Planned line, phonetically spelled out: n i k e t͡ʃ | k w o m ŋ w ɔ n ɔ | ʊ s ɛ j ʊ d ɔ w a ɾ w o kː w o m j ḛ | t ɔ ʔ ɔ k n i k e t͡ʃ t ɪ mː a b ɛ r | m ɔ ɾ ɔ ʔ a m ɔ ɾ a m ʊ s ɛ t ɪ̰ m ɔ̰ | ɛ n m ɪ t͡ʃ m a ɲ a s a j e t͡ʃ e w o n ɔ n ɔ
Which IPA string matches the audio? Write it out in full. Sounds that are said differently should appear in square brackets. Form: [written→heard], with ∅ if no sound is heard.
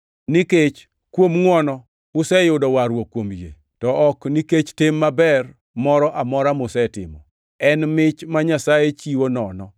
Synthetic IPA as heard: n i k e t͡ʃ | k w o m ŋ w ɔ n ɔ | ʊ s ɛ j ʊ d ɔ w a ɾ w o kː w o m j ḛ | t ɔ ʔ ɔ k n i k e t͡ʃ t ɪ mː a b ɛ r | m ɔ ɾ ɔ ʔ a m ɔ ɾ a m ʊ s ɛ t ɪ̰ m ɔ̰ | ɛ n m ɪ t͡ʃ m a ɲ a s a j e t͡ʃ [e→i] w o n ɔ n ɔ